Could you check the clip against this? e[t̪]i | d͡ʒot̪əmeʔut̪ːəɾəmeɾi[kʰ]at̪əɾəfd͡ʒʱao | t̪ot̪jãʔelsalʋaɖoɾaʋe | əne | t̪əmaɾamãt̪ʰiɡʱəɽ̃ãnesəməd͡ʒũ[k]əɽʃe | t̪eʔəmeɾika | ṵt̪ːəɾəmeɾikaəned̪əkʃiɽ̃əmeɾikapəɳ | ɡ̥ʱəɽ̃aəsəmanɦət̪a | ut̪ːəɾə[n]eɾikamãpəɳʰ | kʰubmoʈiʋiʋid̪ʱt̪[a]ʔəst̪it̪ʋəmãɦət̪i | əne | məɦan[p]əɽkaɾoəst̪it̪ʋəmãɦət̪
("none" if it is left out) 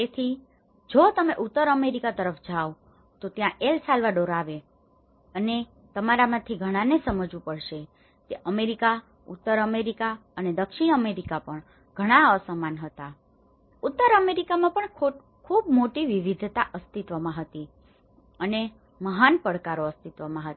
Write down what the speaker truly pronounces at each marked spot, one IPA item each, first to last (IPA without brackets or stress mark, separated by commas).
t̪ʰ, k, p, m, a, p